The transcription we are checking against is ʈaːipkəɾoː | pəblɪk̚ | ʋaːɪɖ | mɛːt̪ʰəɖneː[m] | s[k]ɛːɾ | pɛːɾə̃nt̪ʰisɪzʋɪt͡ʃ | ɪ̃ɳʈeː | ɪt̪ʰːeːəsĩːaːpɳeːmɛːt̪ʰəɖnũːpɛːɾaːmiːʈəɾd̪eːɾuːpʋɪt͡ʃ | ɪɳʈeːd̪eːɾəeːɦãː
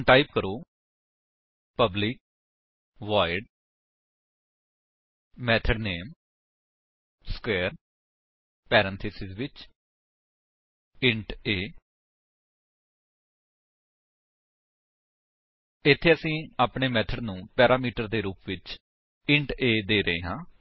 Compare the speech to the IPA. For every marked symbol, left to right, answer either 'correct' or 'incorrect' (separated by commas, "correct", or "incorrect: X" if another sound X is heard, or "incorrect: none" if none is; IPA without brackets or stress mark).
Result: correct, correct